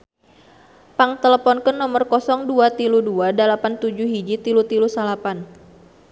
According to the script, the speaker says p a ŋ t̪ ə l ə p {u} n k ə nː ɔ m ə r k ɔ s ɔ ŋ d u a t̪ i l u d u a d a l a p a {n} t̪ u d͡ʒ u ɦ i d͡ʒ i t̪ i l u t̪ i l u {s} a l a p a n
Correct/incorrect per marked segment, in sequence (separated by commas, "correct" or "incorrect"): incorrect, correct, correct